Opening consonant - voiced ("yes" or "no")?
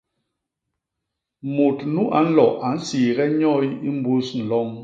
yes